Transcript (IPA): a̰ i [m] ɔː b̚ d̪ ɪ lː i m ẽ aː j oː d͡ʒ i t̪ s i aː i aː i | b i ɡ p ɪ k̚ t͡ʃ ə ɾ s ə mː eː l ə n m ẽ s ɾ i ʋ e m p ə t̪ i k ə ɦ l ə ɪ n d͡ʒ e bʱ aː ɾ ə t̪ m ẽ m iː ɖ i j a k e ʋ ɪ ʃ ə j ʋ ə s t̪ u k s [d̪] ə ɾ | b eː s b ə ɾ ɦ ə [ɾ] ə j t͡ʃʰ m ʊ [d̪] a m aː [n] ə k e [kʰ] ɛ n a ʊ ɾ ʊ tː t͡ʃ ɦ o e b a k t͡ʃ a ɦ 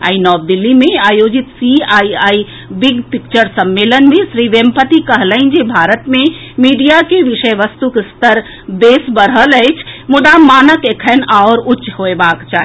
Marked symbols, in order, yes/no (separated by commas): no, no, no, yes, yes, yes